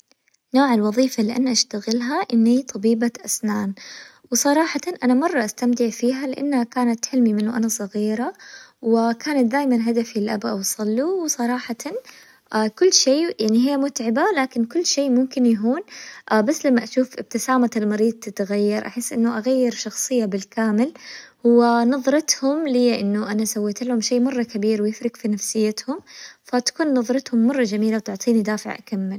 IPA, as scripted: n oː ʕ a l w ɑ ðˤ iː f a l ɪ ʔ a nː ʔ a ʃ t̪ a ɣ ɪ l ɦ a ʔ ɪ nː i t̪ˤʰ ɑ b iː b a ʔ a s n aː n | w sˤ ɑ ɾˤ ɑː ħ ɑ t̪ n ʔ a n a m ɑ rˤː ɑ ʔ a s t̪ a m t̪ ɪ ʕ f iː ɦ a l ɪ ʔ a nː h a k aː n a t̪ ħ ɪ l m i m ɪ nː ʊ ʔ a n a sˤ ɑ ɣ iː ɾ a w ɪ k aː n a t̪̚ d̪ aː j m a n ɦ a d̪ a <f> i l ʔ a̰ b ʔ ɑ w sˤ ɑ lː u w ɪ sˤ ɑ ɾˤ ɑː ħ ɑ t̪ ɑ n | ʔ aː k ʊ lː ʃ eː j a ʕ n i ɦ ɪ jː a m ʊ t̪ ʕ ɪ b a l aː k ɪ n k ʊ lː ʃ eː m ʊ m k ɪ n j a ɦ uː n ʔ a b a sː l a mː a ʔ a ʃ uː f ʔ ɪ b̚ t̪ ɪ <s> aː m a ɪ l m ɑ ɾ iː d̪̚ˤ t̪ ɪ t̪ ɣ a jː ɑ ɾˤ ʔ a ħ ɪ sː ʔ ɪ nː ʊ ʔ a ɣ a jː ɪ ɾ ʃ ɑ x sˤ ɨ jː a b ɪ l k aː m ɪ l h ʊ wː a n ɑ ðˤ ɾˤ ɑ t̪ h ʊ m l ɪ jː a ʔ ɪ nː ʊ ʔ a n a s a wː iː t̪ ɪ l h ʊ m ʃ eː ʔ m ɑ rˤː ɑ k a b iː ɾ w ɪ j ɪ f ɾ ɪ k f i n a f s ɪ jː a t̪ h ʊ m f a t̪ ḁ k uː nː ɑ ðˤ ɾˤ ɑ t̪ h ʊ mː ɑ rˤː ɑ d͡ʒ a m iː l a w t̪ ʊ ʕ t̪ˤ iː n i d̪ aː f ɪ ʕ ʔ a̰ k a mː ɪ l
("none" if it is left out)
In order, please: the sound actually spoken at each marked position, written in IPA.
f, s

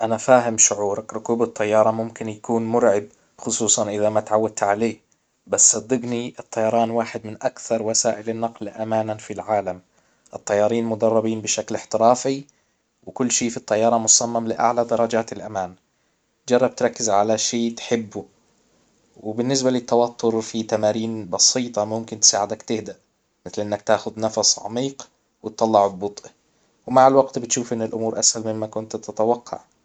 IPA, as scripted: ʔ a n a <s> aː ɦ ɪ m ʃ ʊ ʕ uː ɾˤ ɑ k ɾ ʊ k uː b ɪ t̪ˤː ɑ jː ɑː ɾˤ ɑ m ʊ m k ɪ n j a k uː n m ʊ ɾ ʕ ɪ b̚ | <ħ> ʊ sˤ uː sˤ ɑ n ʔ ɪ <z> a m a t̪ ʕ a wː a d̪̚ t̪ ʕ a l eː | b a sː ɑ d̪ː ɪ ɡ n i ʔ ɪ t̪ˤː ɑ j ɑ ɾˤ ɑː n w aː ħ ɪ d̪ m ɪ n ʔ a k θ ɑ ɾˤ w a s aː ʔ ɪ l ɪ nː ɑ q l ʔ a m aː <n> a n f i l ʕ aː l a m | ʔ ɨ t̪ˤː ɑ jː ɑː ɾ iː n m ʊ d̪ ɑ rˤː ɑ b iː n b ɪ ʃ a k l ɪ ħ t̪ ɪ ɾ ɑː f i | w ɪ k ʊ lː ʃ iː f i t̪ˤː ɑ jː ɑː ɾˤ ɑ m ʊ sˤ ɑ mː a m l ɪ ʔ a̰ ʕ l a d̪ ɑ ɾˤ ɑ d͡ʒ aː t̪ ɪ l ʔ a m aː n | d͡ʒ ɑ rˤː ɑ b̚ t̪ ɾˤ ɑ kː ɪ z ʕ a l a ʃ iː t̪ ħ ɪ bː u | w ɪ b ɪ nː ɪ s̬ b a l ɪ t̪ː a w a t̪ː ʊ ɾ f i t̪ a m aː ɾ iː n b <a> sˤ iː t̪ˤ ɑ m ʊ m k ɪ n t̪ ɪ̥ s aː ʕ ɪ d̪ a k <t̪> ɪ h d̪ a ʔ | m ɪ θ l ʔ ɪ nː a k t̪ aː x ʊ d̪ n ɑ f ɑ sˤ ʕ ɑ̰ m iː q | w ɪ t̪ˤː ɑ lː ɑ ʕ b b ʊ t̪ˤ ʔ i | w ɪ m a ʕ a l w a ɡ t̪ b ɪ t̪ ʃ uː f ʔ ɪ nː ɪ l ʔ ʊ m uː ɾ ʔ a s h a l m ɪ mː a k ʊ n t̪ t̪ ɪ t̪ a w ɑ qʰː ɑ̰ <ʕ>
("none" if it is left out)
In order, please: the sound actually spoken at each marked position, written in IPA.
f, x, ð, n, ɑ, t̪, ʕ

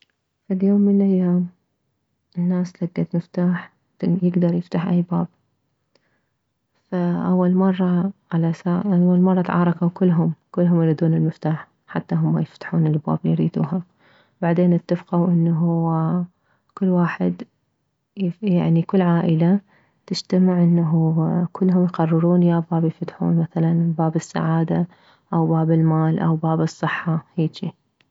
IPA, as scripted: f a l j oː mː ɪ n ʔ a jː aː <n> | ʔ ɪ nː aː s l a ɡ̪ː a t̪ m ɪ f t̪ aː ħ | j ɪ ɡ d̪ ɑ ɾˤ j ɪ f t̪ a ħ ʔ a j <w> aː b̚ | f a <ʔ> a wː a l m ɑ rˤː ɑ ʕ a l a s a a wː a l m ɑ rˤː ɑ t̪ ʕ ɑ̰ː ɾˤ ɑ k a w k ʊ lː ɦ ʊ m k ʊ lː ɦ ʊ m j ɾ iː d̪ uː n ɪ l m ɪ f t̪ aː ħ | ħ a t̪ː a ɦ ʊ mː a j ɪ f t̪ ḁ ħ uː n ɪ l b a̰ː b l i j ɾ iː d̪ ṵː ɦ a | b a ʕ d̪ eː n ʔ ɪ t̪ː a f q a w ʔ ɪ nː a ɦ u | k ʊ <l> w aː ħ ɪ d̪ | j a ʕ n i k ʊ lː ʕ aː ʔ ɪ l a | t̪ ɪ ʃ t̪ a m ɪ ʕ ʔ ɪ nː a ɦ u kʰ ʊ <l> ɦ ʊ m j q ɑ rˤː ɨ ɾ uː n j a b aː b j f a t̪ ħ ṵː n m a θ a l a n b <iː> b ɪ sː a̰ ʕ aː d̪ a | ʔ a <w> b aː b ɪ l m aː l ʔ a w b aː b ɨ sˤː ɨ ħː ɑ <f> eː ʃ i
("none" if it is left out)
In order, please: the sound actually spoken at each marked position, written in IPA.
m, b, ʔ, lː, lː, aː, w, h

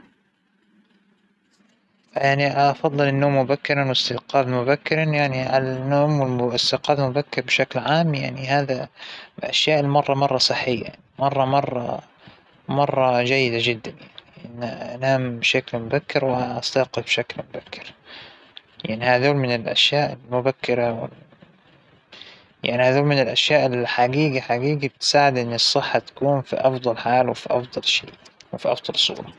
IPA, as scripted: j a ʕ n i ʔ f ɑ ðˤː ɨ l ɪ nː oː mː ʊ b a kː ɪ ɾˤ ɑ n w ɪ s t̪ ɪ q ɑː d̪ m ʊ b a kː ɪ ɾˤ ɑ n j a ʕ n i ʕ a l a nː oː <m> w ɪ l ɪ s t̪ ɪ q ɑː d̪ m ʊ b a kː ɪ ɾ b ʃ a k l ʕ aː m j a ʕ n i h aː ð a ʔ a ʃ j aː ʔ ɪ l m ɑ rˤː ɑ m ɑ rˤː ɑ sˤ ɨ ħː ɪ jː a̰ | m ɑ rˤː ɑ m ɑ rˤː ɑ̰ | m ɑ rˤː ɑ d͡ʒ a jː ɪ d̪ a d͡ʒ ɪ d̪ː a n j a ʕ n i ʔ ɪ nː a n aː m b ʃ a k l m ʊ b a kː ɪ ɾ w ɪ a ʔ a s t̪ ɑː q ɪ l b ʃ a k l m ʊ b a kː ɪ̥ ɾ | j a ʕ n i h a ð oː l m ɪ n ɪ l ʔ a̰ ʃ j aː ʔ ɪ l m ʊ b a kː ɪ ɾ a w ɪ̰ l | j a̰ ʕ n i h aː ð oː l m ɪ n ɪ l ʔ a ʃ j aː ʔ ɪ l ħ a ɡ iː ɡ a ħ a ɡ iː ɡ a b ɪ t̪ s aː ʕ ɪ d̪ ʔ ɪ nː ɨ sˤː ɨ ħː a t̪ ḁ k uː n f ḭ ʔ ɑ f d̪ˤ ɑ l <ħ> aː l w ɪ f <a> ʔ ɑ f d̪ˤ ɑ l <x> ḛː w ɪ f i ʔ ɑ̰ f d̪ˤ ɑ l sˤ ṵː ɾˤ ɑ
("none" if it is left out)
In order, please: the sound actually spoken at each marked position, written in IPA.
m, ħ, i, ʃ

